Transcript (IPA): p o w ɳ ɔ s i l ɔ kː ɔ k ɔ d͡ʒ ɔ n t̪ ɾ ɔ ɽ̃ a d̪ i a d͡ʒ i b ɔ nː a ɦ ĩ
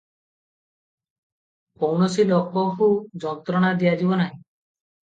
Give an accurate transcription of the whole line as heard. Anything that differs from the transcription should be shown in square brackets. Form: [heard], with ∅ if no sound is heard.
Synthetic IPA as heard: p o w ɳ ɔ s i l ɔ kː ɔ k [u] d͡ʒ ɔ n t̪ ɾ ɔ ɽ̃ a d̪ i a d͡ʒ i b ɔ [n] a ɦ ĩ